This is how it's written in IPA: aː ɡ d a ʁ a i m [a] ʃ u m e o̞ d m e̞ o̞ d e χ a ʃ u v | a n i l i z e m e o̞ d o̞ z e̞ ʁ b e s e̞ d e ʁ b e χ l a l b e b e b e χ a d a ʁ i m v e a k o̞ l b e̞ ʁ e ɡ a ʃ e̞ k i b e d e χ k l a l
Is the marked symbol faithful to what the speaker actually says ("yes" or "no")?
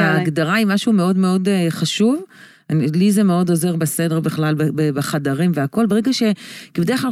yes